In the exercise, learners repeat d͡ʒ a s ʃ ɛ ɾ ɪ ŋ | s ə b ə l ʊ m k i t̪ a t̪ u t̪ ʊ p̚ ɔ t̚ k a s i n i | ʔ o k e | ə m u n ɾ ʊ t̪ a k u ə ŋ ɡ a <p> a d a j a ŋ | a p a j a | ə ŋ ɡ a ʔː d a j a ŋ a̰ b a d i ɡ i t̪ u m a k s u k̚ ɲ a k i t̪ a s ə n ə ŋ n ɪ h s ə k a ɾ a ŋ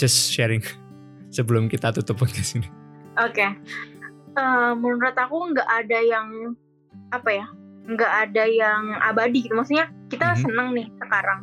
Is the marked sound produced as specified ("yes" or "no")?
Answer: no